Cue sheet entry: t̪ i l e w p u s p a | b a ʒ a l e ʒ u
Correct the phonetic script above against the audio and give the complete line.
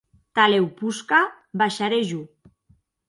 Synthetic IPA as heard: t̪ a l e w p u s k a | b a ʃ a ɾ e ʒ u